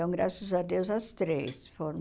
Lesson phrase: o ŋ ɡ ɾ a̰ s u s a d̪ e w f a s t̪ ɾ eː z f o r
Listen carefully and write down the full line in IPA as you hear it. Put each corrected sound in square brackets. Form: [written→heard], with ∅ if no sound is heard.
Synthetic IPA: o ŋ ɡ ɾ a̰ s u s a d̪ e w [f→s] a s t̪ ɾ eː [z→s] f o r